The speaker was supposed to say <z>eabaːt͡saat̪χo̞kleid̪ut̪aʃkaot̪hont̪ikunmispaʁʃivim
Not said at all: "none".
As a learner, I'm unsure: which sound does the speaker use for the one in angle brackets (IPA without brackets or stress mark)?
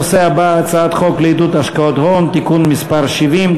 s